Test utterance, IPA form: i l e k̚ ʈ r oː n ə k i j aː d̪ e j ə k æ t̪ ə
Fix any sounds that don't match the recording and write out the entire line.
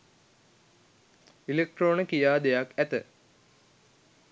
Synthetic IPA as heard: i l e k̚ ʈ r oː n ə k i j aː d̪ e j a k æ t̪ ə